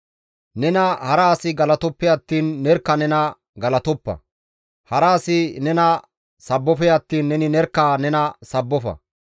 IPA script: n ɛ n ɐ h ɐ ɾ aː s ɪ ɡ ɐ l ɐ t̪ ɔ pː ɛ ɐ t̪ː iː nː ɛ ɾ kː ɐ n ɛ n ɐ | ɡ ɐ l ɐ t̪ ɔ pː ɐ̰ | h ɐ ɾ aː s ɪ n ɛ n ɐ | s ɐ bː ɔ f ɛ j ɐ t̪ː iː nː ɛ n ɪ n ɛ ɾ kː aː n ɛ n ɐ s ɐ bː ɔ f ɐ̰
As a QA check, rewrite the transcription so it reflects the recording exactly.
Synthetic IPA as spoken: n ɛ n ɐ h ɐ ɾ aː s ɪ ɡ ɐ l ɐ t̪ ɔ pː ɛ ɐ t̪ː iː nː ɛ ɾ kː ɐ n ɛ n ɐ | ɡ ɐ l ɐ t̪ ɔ pː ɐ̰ | h ɐ ɾ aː s ɪ n ɛ n ɐ | s ɐ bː ɔ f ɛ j ɐ t̪ː iː nː ɛ n ɪ n ɛ ɾ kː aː n ɛ n ɐ s ɐ bː ɔ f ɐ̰

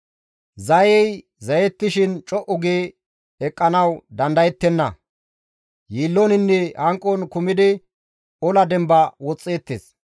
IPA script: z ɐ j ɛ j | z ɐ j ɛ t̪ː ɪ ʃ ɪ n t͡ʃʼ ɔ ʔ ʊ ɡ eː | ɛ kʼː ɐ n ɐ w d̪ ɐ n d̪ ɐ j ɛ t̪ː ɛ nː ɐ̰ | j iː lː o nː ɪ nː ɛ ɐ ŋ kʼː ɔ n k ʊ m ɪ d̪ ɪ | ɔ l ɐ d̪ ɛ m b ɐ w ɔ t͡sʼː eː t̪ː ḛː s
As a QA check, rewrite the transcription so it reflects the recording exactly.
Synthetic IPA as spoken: z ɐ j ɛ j | z ɐ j ɛ t̪ː ɪ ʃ ɪ n t͡ʃʼ ɔ ʔ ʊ ɡ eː | ɛ kʼː ɐ n ɐ w d̪ ɐ n d̪ ɐ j ɛ t̪ː ɛ nː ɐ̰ | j iː lː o n ɪ nː ɛ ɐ ŋ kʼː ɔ n k ʊ m ɪ d̪ ɪ | ɔ l ɐ d̪ ɛ m b ɐ w ɔ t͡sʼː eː t̪ː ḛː s

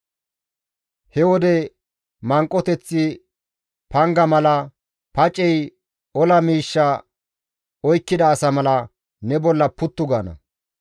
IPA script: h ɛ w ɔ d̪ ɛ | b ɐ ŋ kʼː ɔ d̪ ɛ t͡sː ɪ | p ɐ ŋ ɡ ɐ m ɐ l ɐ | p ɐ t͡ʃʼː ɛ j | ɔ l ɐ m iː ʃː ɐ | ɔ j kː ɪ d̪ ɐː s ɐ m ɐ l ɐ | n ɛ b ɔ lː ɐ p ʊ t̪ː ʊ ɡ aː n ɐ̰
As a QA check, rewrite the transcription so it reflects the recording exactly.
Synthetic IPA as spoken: h ɛ w ɔ d̪ ɛ | m ɐ ŋ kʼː ɔ t̪ ɛ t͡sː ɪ | p ɐ ŋ ɡ ɐ m ɐ l ɐ | p ɐ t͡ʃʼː ɛ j | ɔ l ɐ m iː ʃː ɐ | ɔ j kː ɪ d̪ ɐː s ɐ m ɐ l ɐ | n ɛ b ɔ lː ɐ p ʊ t̪ː ʊ ɡ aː n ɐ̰

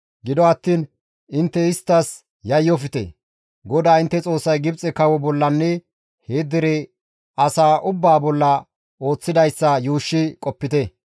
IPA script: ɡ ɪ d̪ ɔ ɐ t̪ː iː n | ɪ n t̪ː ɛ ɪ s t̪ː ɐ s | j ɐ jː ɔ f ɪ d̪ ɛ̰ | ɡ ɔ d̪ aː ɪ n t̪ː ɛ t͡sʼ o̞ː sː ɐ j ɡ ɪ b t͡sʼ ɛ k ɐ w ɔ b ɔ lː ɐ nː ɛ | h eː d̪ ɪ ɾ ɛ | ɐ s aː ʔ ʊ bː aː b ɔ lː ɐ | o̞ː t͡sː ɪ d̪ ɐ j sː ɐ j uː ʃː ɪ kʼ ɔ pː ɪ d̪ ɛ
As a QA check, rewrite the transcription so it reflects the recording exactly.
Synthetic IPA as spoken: ɡ ɪ d̪ ɔ ɐ t̪ː iː n | ɪ n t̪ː ɛ ɪ s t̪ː ɐ s | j ɐ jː ɔ f ɪ t̪ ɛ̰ | ɡ ɔ d̪ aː ɪ n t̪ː ɛ t͡sʼ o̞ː sː ɐ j ɡ ɪ b t͡sʼ ɛ k ɐ w ɔ b ɔ lː ɐ nː ɛ | h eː d̪ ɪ ɾ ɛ | ɐ s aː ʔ ʊ bː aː b ɔ lː ɐ | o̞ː t͡sː ɪ d̪ ɐ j sː ɐ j uː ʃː ɪ kʼ ɔ pː ɪ t̪ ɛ

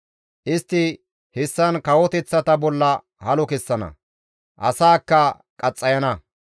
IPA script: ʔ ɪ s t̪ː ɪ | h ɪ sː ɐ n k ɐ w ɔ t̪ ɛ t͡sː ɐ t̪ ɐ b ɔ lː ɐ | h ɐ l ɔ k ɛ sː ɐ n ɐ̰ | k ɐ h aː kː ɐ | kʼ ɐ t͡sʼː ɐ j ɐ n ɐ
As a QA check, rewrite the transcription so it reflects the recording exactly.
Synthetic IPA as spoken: ʔ ɪ s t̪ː ɪ | h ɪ sː ɐ n k ɐ w ɔ t̪ ɛ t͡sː ɐ t̪ ɐ b ɔ lː ɐ | h ɐ l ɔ k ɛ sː ɐ n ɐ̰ | ʔ ɐ s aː kː ɐ | kʼ ɐ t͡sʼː ɐ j ɐ n ɐ

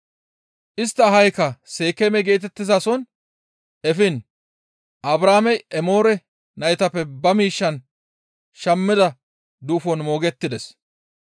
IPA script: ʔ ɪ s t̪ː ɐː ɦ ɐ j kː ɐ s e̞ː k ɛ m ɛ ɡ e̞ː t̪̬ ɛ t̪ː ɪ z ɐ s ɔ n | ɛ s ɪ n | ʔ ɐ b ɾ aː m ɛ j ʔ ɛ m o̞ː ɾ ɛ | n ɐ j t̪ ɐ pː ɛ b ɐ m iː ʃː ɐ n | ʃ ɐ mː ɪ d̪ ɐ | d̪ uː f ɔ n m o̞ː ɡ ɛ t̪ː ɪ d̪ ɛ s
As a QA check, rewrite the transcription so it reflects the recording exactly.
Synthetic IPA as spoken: ʔ ɪ s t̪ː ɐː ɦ ɐ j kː ɐ s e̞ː k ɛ m ɛ ɡ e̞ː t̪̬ ɛ t̪ː ɪ z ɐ s ɔ n | ɛ f ɪ n | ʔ ɐ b ɾ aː m ɛ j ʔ ɛ m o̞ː ɾ ɛ | n ɐ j t̪ ɐ pː ɛ b ɐ m iː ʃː ɐ n | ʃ ɐ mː ɪ d̪ ɐ | d̪ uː f ɔ n m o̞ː ɡ ɛ t̪ː ɪ d̪ ɛ s

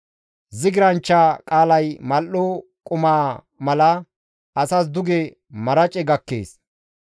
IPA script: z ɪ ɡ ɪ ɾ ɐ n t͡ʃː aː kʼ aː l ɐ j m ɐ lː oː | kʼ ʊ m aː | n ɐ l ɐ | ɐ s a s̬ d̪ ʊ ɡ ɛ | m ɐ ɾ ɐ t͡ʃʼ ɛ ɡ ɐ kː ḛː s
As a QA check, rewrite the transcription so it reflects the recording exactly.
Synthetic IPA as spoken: z ɪ ɡ ɪ ɾ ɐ n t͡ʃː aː kʼ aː l ɐ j m ɐ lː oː | kʼ ʊ m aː | m ɐ l ɐ | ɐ s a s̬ d̪ ʊ ɡ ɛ | m ɐ ɾ ɐ t͡ʃʼ ɛ ɡ ɐ kː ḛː s

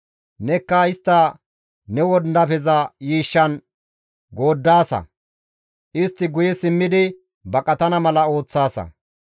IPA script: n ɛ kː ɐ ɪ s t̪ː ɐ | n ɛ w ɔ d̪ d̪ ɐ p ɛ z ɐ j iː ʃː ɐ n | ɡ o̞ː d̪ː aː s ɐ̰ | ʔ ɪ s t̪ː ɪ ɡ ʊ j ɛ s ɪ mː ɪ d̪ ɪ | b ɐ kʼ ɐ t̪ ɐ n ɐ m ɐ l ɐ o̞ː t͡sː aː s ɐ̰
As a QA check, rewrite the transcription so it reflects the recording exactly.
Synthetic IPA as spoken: n ɛ kː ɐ ɪ s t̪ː ɐ | n ɛ w ɔ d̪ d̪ ɐ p ɛ z ɐ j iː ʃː ɐ n | ɡ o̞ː d̪ː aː s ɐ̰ | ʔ ɪ s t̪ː ɪ ɡ ʊ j ɛ s ɪ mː ɪ d̪ ɪ | b ɐ kʼ ɐ t̪ ɐ n ɐ m ɐ l ɐ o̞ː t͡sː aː s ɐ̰

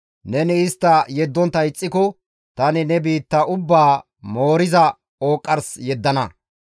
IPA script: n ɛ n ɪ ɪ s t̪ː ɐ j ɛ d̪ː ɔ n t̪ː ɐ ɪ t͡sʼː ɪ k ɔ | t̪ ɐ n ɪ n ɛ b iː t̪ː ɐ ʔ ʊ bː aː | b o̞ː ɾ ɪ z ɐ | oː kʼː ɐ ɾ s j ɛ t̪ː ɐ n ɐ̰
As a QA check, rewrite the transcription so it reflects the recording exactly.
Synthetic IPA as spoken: n ɛ n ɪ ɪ s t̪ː ɐ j ɛ d̪ː ɔ n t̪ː ɐ ɪ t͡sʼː ɪ k ɔ | t̪ ɐ n ɪ n ɛ b iː t̪ː ɐ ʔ ʊ bː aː | m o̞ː ɾ ɪ z ɐ | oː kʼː ɐ ɾ s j ɛ d̪ː ɐ n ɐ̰

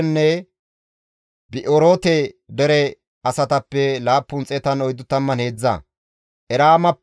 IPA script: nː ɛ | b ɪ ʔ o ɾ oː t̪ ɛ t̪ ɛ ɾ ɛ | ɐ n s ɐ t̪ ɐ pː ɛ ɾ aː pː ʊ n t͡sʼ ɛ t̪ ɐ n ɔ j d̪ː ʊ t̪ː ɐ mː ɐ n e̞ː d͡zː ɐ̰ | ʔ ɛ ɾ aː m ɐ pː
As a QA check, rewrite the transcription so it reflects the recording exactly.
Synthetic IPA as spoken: nː ɛ | b ɪ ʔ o ɾ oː t̪ ɛ d̪ ɛ ɾ ɛ | ɐ s ɐ t̪ ɐ pː ɛ l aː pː ʊ n t͡sʼ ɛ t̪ ɐ n ɔ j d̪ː ʊ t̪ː ɐ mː ɐ n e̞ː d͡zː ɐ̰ | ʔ ɛ ɾ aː m ɐ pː

